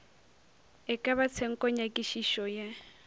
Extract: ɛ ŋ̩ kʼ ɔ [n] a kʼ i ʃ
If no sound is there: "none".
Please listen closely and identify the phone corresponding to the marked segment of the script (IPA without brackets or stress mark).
ɲ